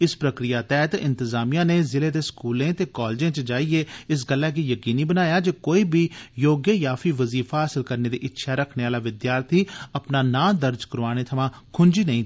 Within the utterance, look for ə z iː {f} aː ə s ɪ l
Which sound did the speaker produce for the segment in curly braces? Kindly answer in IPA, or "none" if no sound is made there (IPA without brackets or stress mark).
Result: f